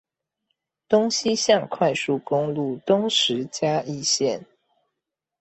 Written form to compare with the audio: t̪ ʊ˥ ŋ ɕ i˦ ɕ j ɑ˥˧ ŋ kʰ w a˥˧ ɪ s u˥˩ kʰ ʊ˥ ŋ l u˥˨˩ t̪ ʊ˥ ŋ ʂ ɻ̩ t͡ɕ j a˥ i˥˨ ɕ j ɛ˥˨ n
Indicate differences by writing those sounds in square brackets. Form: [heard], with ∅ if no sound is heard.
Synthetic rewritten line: t̪ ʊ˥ ŋ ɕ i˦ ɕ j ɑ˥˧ ŋ kʰ w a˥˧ ɪ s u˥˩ [k] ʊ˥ ŋ l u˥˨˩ t̪ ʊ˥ ŋ ʂ ɻ̩ t͡ɕ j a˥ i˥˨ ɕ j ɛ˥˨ n